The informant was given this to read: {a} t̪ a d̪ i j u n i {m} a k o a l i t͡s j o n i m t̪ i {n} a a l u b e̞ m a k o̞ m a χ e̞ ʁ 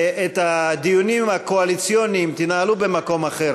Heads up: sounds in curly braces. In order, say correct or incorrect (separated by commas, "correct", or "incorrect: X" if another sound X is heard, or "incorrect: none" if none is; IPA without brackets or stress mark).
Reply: incorrect: e, correct, correct